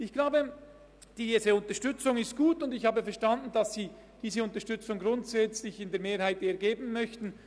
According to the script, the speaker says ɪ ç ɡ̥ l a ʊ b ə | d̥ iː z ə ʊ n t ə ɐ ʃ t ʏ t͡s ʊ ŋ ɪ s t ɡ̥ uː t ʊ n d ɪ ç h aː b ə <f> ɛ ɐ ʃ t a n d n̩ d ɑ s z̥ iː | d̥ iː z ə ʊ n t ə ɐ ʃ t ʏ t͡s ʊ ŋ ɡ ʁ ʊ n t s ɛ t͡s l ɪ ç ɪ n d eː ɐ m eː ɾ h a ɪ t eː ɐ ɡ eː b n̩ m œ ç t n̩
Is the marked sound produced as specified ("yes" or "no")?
yes